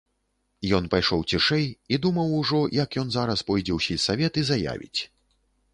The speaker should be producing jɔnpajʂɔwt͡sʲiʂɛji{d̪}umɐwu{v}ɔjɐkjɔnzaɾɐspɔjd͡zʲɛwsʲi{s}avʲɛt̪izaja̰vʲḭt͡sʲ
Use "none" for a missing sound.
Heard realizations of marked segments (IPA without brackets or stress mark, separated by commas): d̪, ʐ, s